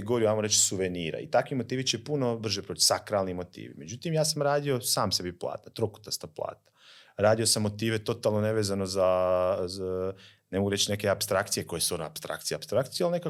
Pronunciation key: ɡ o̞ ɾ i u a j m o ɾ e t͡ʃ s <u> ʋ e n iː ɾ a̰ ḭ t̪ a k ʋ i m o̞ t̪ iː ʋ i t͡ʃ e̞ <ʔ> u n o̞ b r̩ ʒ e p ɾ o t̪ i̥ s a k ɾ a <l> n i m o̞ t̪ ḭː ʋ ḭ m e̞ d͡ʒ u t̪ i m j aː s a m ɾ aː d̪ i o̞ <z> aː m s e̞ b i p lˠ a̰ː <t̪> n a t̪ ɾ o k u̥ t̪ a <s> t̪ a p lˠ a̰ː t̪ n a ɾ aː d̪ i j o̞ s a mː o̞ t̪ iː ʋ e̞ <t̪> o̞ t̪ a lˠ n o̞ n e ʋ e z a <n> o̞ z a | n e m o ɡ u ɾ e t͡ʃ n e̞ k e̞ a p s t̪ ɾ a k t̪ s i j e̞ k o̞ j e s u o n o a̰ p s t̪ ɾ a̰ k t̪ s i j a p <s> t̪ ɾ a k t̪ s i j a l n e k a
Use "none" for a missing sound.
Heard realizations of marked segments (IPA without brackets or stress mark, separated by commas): u, p, l, s, t̪, s, t̪, n, s